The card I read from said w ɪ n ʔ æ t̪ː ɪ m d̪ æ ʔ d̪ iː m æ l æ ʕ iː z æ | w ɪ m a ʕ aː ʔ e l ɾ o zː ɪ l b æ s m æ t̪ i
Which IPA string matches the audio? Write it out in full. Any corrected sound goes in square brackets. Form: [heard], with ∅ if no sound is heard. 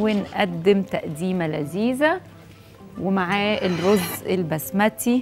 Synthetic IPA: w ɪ n ʔ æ [d̪ː] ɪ m [t̪] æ ʔ d̪ iː m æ l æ [z] iː z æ | w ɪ m a ʕ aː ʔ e l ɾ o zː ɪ l b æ s m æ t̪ i

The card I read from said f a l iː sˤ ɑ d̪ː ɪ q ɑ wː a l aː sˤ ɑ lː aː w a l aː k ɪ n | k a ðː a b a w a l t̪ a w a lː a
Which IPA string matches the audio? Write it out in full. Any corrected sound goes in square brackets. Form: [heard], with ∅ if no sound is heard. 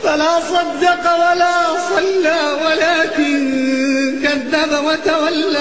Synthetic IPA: f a l [aː] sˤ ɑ d̪ː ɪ q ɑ [w] a l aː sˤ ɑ lː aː w a l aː k ɪ n | k a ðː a b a w a [∅] t̪ a w a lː a

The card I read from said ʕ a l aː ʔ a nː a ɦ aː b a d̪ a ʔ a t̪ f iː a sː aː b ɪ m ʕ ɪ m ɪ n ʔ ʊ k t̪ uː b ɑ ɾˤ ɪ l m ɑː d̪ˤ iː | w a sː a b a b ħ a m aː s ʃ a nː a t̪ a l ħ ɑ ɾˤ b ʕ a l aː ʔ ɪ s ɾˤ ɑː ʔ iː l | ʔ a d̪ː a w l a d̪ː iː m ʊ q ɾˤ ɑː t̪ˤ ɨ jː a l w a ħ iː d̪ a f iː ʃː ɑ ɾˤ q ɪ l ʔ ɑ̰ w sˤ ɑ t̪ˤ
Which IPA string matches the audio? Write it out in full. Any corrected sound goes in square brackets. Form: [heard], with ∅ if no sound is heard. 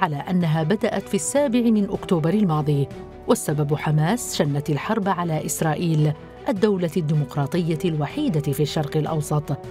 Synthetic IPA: ʕ a l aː ʔ a nː a ɦ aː b a d̪ a ʔ a t̪ f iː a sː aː b ɪ [∅] ʕ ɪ m ɪ n ʔ ʊ k t̪ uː b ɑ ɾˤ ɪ l m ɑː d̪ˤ iː | w a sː a b a b ħ a m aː s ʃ a nː a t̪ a l ħ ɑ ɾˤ b ʕ a l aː ʔ ɪ s ɾˤ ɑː ʔ iː l | ʔ a d̪ː a w l a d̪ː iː m ʊ q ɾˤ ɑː t̪ˤ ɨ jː a l w a ħ iː d̪ a f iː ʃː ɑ ɾˤ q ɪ l ʔ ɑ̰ w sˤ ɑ t̪ˤ

